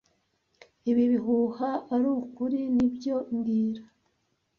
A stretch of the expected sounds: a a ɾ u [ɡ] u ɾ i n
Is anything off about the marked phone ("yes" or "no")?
yes